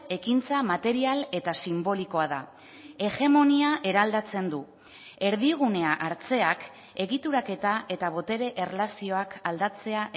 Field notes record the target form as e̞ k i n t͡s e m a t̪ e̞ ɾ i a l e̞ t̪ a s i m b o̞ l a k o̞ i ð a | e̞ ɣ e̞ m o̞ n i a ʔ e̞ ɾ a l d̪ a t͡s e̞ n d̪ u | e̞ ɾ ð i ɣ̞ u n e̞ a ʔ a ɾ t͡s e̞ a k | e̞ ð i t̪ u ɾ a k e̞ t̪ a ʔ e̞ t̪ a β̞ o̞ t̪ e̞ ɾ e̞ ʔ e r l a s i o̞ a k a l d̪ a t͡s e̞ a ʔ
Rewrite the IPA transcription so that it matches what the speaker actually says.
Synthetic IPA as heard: e̞ k i n t͡s a m a t̪ e̞ ɾ i a l e̞ t̪ a s i m b o̞ l i k o̞ a ð a | e̞ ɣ e̞ m o̞ n i a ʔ e̞ ɾ a l d̪ a t͡s e̞ n d̪ u | e̞ ɾ ð i ɣ̞ u n e̞ a ʔ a ɾ t͡s e̞ a k | e̞ ɣ i t̪ u ɾ a k e̞ t̪ a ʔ e̞ t̪ a β̞ o̞ t̪ e̞ ɾ e̞ ʔ e r l a s i o̞ a k a l d̪ a t͡s e̞ a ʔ

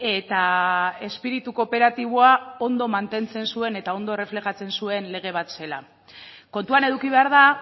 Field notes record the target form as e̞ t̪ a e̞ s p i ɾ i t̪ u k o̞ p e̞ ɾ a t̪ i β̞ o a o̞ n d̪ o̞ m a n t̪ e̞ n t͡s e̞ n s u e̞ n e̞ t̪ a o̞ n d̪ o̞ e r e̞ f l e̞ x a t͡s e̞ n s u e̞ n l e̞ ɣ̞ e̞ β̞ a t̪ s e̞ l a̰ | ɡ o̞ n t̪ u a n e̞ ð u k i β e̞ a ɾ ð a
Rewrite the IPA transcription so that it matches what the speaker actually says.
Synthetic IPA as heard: e̞ t̪ a e̞ s p i ɾ i t̪ u k o̞ p e̞ ɾ a t̪ i β̞ o a o̞ n d̪ o̞ m a n t̪ e̞ n t͡s e̞ n s u e̞ n e̞ t̪ a o̞ n d̪ o̞ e r e̞ f l e̞ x a t͡s e̞ n s u e̞ n l e̞ ɣ̞ e̞ β̞ a t̪ s e̞ l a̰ | k o̞ n t̪ u a n e̞ ð u k i β e̞ a ɾ ð a

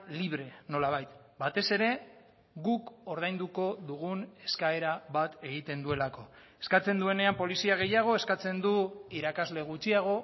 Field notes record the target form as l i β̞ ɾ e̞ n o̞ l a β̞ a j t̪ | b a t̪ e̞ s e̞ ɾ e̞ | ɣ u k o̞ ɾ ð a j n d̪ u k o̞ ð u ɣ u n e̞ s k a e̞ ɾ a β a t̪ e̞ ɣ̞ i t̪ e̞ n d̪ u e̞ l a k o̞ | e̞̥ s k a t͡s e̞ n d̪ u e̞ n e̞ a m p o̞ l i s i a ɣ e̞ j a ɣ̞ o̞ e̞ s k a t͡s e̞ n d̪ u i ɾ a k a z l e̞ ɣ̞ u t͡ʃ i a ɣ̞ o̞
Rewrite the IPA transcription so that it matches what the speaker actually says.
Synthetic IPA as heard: l i β̞ ɾ e̞ n o̞ l a β̞ a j t̪ | b a t̪ e̞ s e̞ ɾ e̞ | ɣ u k o̞ ɾ ð a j n d̪ u k o̞ ð u ɣ u n e̞ s k a e̞ ɾ a β a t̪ e̞ ɣ̞ i t̪ e̞ n d̪ u e̞ l a k o̞ | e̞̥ s k a t͡s e̞ n d̪ u e̞ n e̞ a m p o̞ l i s i a ɣ e̞ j a ɣ̞ o̞ e̞ s k a t͡s e̞ n d̪ u i ɾ a k a z l e̞ ɣ̞ u t͡ʃ i a ɣ̞ o̞

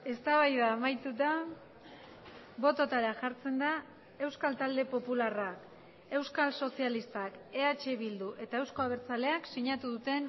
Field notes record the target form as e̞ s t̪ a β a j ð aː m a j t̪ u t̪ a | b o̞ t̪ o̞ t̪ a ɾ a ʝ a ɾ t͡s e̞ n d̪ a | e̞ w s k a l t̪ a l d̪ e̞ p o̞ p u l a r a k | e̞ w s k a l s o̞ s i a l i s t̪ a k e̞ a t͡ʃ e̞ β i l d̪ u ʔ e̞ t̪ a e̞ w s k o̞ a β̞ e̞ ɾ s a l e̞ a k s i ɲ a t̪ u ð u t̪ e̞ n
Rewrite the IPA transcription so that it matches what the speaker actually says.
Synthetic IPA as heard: e̞ s t̪ a β a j ð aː m a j t̪ u t̪ a | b o̞ t̪ o̞ t̪ a ɾ a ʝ a ɾ t͡s e̞ n d̪ a | e̞ w s k a l t̪ a l d̪ e̞ p o̞ p u l a r a k | e̞ w s k a l s o̞ s i a l i s t̪ a k e̞ a t͡ʃ e̞ β i l d̪ u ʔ e̞ t̪ a e̞ w s k o̞ a β̞ e̞ ɾ t͡s a l e̞ a k s i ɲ a t̪ u ð u t̪ e̞ n

